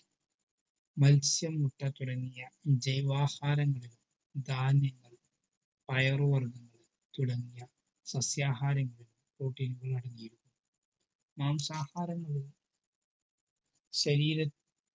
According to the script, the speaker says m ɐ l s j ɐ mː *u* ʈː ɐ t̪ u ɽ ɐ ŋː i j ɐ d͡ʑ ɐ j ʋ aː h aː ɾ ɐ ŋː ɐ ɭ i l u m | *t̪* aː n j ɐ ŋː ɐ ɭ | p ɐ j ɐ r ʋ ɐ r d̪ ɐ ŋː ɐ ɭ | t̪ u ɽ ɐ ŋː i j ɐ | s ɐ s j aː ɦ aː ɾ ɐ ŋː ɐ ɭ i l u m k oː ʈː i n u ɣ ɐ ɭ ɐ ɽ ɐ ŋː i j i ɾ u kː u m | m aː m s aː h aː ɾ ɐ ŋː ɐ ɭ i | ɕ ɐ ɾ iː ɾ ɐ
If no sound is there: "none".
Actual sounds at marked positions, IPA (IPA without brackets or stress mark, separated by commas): u, d̪